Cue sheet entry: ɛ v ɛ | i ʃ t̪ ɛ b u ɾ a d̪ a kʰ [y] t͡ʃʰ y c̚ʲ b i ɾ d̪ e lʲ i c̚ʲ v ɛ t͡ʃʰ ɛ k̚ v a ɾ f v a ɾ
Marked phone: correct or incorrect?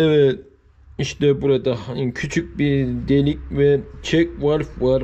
correct